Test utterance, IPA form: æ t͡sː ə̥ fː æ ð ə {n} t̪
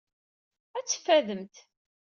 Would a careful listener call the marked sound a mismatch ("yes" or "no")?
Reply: yes